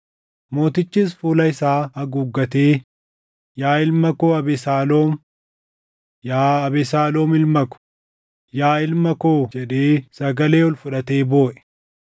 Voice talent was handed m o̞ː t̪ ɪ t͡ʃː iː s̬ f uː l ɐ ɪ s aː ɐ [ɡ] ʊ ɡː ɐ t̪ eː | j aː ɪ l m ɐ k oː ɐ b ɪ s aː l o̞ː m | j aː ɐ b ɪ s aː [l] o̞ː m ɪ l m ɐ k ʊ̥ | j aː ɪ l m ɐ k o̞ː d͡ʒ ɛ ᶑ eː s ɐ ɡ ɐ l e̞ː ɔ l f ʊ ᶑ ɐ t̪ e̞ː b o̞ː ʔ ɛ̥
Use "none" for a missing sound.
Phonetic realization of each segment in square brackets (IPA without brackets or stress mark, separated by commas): ɡ, l